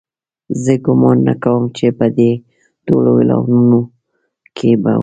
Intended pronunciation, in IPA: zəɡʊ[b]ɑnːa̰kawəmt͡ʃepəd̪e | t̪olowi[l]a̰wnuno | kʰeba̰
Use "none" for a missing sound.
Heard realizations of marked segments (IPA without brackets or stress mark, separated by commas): m, l